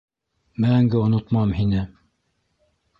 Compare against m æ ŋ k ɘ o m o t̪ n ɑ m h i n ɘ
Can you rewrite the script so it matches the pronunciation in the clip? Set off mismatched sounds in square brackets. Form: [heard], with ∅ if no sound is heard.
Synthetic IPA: m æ ŋ [ɡ] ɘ o [n] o t̪ [m] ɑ m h i n ɘ